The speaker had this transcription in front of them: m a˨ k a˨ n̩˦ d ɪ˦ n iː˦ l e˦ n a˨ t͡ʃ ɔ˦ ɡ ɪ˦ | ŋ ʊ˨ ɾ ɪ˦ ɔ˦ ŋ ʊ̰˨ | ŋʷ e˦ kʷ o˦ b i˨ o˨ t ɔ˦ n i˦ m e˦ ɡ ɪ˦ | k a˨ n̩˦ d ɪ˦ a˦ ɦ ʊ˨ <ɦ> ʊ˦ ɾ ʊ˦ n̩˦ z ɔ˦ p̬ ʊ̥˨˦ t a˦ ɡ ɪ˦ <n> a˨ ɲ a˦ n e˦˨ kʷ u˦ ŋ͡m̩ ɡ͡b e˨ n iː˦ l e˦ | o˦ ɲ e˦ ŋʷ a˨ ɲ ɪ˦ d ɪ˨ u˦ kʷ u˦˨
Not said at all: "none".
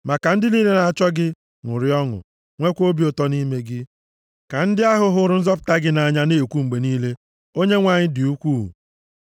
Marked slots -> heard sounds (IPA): ɦ, n

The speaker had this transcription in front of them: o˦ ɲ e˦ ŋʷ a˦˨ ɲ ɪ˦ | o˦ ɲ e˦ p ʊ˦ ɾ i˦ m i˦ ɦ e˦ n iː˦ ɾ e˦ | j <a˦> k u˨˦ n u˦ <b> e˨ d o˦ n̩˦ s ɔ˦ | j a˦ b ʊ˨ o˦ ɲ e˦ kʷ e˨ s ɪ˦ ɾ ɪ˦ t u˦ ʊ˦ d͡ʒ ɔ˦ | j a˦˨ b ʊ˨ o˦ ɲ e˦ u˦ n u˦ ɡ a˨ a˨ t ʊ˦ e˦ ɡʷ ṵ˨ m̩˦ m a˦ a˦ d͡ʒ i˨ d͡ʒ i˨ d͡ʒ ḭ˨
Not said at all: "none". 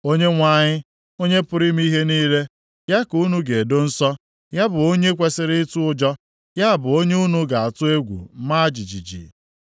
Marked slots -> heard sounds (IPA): a˦, ɡ

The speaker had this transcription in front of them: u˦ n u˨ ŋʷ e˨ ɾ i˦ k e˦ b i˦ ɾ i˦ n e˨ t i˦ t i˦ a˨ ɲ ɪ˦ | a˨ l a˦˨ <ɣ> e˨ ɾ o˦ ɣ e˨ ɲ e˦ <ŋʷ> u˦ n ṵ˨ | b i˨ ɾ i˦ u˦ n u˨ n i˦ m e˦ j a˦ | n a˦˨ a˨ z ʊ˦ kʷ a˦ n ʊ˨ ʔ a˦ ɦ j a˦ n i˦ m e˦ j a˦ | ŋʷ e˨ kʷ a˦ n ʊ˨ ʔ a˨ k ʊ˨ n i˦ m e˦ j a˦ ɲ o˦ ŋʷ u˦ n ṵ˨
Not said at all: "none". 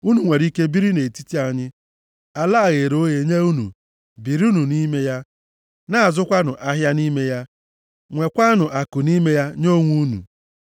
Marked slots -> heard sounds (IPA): ɣ, none

